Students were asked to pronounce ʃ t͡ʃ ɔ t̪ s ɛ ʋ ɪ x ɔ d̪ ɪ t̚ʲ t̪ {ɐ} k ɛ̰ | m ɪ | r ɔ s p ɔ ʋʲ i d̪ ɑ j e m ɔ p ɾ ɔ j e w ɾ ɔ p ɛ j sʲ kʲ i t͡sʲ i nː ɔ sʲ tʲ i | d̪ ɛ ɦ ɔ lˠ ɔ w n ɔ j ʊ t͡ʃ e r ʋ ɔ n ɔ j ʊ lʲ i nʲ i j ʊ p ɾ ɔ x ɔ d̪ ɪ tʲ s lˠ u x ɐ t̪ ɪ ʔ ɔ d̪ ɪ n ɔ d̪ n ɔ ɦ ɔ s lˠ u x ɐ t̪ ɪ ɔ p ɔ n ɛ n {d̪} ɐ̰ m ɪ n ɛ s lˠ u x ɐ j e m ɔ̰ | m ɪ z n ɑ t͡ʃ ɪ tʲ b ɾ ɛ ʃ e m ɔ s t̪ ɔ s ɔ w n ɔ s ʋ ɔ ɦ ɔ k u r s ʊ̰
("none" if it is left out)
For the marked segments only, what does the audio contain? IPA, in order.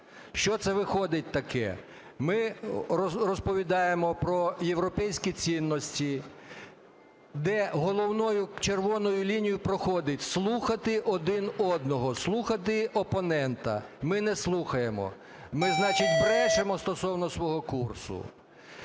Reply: ɐ, t̪

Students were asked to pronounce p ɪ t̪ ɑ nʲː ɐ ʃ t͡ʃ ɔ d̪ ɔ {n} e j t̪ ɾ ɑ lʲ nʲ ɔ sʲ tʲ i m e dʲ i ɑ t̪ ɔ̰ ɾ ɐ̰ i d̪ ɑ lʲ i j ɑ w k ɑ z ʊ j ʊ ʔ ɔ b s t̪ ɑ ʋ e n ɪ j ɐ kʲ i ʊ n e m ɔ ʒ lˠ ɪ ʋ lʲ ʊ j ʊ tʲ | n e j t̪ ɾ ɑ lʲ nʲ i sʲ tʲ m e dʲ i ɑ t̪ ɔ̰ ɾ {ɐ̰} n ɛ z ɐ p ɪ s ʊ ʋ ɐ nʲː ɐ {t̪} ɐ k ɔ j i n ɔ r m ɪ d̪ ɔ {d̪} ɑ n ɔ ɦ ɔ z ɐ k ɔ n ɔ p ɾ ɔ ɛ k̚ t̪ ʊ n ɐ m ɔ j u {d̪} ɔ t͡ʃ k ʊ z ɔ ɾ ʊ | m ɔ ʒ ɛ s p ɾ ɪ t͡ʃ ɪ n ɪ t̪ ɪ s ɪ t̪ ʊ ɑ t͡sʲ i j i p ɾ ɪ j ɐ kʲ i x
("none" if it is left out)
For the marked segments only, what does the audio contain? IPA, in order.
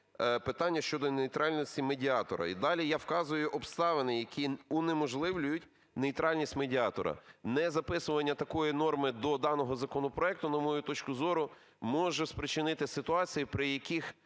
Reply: n, ɐ̰, t̪, d̪, t̪

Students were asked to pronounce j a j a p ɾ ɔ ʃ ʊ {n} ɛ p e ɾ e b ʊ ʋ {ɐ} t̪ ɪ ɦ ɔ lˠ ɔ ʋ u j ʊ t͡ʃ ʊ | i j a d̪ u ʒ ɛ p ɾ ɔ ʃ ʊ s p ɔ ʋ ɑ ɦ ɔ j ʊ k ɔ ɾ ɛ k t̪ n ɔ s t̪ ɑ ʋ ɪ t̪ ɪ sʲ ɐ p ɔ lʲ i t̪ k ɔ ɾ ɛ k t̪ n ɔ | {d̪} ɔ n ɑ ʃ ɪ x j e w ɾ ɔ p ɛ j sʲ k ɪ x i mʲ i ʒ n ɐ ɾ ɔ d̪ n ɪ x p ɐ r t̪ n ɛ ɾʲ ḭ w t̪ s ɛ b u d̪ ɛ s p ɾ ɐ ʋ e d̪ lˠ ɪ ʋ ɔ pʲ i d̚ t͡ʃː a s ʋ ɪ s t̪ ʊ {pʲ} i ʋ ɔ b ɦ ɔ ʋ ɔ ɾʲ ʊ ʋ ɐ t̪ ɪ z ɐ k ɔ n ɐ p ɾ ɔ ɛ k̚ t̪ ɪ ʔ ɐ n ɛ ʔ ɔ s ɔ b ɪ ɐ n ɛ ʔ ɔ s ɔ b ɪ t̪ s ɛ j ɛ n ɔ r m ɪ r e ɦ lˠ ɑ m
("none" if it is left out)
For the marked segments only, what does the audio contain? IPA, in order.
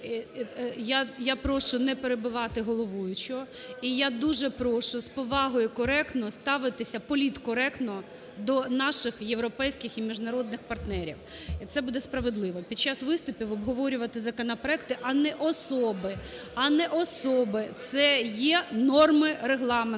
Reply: n, ɑ, d̪, pʲ

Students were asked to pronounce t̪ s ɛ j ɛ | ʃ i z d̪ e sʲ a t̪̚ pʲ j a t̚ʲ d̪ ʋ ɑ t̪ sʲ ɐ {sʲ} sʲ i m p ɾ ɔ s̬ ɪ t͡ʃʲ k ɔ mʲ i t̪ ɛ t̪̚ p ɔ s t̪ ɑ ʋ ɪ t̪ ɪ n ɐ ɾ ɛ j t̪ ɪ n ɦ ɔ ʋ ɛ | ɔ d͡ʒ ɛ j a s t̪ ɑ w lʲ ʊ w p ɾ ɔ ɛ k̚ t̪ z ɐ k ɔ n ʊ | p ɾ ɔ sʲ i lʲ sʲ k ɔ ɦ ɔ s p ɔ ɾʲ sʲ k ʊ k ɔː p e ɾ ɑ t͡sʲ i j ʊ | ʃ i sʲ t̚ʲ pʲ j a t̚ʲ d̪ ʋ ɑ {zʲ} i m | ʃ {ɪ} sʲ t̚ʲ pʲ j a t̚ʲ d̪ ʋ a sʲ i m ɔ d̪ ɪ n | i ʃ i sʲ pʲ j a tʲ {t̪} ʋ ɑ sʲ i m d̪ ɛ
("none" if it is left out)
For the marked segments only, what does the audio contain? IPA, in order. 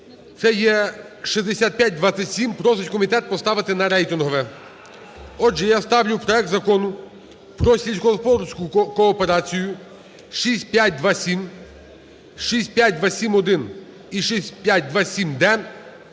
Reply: tʲ, sʲ, i, d̪

